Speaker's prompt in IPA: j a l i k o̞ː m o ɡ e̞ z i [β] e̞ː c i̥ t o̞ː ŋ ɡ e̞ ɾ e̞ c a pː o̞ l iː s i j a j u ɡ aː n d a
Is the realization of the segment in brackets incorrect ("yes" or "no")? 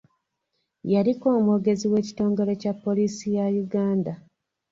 yes